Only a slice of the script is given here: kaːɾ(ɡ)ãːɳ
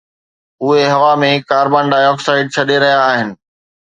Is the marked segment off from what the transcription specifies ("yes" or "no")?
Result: yes